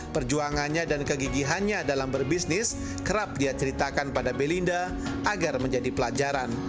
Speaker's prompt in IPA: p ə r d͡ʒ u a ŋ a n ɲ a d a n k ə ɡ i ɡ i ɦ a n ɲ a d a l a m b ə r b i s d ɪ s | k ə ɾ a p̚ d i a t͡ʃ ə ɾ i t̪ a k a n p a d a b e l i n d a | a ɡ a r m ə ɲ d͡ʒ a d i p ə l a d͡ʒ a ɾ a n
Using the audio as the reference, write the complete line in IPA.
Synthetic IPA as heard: p ə r d͡ʒ u a ŋ a n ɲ a d a n k ə ɡ i ɡ i ɦ a n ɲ a d a l a m b ə r b i s n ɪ s | k ə ɾ a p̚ d i a t͡ʃ ə ɾ i t̪ a k a n p a d a b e l i n d a | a ɡ a r m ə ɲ d͡ʒ a d i p ə l a d͡ʒ a ɾ a n